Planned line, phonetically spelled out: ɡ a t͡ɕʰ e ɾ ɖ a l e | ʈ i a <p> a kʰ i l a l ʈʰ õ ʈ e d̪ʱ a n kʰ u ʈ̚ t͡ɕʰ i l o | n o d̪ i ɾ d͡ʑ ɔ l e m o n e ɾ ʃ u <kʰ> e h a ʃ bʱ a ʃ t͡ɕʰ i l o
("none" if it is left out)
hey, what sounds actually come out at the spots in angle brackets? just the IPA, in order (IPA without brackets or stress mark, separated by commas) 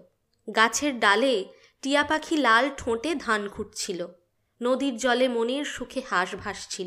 p, kʰ